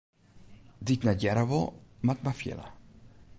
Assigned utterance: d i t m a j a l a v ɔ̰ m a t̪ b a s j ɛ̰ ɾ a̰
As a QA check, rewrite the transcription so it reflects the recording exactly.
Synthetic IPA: d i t n a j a ɾ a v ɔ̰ m a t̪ m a f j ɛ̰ l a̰